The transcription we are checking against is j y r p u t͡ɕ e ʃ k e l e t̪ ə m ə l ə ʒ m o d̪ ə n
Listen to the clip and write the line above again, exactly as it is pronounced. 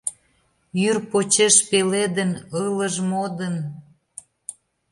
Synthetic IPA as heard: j y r p o t͡ɕ e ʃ p e l e d̪ ə n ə l ə ʒ m o d̪ ə n